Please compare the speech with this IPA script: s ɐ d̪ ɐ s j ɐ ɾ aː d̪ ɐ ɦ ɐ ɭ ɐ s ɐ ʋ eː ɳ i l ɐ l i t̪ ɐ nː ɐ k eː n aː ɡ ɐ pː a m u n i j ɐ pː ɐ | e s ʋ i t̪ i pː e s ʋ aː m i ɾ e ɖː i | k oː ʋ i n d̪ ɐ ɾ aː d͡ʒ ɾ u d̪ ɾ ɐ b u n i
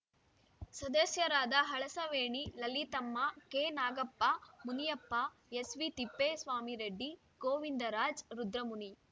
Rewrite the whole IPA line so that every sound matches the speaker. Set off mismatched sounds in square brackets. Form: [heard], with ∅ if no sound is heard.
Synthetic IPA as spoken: s ɐ d̪ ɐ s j ɐ ɾ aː d̪ ɐ ɦ ɐ ɭ ɐ s ɐ ʋ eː ɳ i l ɐ l i t̪ ɐ [mː] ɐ k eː n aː ɡ ɐ pː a m u n i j ɐ pː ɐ | e s ʋ i t̪ i pː e s ʋ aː m i ɾ e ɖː i | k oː ʋ i n d̪ ɐ ɾ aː d͡ʒ ɾ u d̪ ɾ ɐ [m] u n i